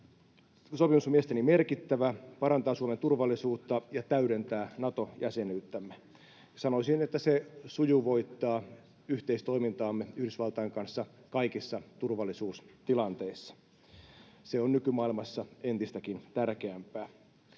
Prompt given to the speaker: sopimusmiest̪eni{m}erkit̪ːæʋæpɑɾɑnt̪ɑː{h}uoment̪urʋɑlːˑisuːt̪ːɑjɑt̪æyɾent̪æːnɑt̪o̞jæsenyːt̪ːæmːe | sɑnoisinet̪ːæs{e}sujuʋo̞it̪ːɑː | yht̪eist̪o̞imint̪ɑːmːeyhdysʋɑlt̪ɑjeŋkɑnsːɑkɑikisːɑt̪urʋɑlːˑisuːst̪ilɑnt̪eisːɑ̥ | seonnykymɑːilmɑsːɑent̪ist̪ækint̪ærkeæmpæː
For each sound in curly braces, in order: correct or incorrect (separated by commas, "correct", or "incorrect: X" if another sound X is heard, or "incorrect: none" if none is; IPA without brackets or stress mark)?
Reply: correct, incorrect: s, correct